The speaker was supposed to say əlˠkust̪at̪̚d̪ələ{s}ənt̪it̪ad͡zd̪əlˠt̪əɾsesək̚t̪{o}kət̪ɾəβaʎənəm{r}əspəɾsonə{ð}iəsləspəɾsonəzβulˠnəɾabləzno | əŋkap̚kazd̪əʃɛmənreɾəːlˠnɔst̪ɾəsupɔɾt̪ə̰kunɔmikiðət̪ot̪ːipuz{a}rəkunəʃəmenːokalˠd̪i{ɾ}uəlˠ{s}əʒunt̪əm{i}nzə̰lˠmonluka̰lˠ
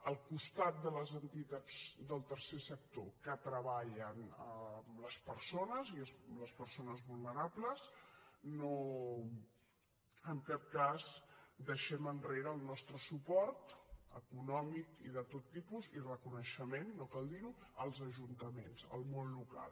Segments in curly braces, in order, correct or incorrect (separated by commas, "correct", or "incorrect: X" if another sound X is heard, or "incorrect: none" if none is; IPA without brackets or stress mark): incorrect: z, correct, incorrect: l, incorrect: z, incorrect: i, correct, incorrect: z, incorrect: e